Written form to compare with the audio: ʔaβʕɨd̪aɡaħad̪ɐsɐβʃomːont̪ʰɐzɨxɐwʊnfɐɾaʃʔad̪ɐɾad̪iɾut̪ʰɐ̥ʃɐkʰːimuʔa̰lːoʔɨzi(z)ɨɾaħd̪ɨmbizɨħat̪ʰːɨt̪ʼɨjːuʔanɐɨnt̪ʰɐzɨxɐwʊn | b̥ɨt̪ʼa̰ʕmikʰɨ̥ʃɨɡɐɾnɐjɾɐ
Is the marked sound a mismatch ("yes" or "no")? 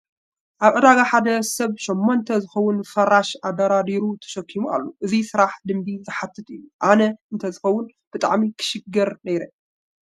yes